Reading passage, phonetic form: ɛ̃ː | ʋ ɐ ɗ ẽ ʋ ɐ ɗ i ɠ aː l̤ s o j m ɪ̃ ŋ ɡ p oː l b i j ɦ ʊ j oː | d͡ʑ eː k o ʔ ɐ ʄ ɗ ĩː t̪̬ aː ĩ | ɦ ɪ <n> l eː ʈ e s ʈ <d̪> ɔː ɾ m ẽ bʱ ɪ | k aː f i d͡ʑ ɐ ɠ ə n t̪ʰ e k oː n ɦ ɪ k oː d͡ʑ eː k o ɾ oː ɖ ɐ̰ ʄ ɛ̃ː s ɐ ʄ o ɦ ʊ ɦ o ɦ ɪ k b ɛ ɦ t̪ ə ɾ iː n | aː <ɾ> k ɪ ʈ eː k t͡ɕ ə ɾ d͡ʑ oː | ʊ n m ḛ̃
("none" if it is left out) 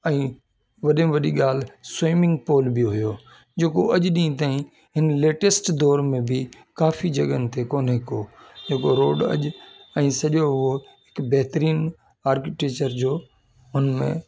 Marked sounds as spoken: n, d̪, ɾ

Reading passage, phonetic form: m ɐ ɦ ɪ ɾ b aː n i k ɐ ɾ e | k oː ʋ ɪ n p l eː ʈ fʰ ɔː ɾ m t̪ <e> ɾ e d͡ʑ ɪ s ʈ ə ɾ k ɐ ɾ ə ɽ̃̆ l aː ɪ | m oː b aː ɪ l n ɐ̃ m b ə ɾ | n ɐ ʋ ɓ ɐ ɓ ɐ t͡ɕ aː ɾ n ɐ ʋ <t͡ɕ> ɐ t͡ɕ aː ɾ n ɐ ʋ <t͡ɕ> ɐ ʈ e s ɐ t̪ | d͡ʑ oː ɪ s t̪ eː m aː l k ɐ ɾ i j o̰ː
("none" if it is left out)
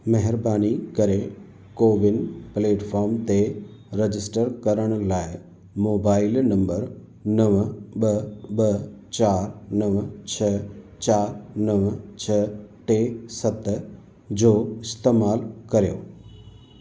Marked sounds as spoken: e, t͡ɕʰ, t͡ɕʰ

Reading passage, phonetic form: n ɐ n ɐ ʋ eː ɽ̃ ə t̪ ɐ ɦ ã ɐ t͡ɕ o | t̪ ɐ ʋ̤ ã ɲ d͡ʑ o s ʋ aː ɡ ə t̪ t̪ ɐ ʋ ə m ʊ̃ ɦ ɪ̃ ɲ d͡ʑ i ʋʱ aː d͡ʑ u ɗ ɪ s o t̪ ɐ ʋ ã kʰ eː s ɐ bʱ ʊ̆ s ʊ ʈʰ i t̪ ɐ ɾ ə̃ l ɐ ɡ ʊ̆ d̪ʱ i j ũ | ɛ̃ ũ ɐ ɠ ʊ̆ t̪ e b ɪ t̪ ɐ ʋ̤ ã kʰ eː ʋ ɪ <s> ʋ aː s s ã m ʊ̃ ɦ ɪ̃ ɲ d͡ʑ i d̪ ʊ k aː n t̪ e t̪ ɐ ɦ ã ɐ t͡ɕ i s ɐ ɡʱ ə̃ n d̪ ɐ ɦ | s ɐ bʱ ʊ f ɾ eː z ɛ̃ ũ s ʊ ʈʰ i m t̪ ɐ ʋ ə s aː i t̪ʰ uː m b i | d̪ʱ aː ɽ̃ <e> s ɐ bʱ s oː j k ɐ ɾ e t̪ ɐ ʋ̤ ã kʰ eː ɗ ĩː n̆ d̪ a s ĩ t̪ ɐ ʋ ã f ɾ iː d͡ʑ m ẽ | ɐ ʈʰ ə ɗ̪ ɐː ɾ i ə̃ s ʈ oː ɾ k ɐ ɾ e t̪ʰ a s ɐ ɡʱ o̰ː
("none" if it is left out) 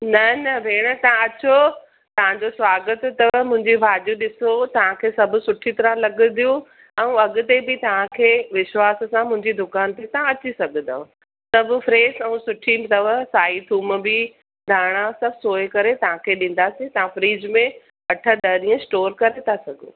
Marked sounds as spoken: ʃ, a

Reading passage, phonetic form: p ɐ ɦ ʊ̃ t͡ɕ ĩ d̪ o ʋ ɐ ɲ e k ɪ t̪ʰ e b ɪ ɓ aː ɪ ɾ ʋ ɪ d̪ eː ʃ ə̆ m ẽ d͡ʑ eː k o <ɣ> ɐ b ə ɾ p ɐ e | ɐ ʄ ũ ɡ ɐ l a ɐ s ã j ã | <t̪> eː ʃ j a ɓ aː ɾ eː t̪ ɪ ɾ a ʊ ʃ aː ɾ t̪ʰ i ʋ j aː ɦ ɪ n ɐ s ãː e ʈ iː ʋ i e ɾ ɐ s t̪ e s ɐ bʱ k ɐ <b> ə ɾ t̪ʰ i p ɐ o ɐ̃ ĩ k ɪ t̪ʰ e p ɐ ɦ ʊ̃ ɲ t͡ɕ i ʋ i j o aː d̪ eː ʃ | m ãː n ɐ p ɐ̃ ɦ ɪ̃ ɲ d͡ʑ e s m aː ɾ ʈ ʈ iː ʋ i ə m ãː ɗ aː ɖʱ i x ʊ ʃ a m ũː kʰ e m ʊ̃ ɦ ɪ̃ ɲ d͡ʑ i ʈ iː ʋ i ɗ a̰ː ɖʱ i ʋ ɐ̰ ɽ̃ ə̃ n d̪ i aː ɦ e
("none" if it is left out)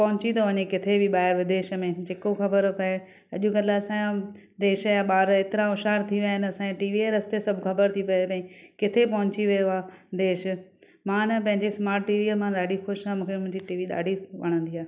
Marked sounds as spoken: x, d̪, b

